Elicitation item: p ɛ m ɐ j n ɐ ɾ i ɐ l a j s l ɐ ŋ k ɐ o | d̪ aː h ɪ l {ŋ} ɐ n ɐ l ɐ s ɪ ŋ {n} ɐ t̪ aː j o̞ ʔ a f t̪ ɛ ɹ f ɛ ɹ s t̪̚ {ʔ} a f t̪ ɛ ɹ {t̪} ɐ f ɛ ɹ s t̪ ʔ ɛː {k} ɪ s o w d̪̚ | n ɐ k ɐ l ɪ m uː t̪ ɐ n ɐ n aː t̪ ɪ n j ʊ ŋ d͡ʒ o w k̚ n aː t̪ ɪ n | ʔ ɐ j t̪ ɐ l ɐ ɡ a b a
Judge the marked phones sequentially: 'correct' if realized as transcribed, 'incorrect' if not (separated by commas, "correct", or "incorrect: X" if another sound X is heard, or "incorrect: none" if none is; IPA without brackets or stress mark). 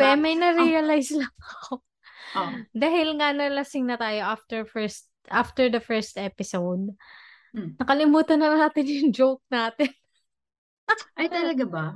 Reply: correct, correct, correct, incorrect: d̪, incorrect: p